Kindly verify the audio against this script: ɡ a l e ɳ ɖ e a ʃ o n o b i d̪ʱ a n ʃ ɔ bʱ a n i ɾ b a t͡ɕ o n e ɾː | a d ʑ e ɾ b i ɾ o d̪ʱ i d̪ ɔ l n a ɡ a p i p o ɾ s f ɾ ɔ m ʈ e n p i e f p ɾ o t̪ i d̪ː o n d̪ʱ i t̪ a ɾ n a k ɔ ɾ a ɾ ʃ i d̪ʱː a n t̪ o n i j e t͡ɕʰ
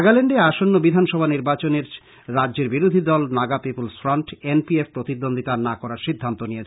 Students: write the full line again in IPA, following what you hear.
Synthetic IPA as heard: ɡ a l e ɳ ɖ e a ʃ o nː o b i d̪ʱ a n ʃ ɔ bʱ a n i ɾ b a t͡ɕ o n e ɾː | a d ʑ e ɾ b i ɾ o d̪ʱ i d̪ ɔ l n a ɡ a p i p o l s f ɾ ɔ ɳ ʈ e n p i e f p ɾ o t̪ i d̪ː o n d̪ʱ i t̪ a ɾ n a k ɔ ɾ a ɾ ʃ i d̪ʱː a n t̪ o n i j e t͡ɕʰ

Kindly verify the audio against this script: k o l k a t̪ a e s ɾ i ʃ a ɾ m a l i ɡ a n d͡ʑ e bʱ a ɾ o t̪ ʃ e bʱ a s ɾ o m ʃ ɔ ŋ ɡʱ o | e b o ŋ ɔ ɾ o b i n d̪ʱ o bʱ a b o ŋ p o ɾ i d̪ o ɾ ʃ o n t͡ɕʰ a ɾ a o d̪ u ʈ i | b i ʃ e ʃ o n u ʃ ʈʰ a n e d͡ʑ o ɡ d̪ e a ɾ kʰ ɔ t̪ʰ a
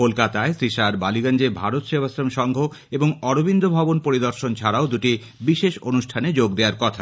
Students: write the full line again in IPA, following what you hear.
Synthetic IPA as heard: k o l k a t̪ a e s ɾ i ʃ a ɾ b a l i ɡ a n d͡ʑ e bʱ a ɾ o t̪ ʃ e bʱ a s ɾ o m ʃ ɔ ŋ ɡʱ o | e b o ŋ ɔ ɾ o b i n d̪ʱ o bʱ a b o n p o ɾ i d̪ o ɾ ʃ o n t͡ɕʰ a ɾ a o d̪ u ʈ i | b i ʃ e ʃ o n u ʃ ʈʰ a n e d͡ʑ o ɡ d̪ e a ɾ k ɔ t̪ʰ a

